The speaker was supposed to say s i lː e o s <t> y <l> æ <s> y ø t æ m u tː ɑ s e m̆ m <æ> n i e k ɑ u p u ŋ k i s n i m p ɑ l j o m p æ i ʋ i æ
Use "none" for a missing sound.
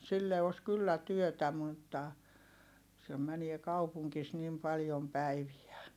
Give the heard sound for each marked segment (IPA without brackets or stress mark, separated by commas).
k, lː, t, æ